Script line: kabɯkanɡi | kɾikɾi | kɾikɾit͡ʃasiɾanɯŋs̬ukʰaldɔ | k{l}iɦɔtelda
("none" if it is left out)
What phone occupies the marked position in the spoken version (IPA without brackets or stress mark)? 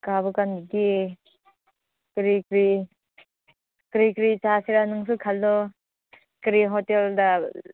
ɾ